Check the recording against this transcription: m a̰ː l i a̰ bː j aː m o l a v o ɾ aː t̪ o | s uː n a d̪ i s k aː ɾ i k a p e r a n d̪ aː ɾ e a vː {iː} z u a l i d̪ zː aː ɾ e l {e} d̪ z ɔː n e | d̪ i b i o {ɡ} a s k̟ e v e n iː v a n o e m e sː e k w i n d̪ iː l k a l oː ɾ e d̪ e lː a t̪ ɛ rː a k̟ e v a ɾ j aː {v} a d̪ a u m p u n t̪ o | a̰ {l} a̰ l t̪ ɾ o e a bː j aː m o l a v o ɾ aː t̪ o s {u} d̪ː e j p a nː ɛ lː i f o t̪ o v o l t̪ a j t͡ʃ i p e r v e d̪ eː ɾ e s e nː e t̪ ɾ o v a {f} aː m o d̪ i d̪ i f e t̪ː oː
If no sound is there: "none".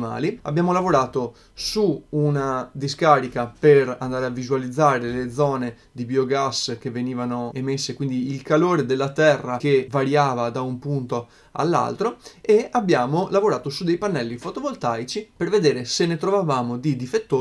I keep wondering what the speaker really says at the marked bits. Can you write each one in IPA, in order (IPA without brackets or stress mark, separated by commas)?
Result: i, e, ɡ, v, lː, u, v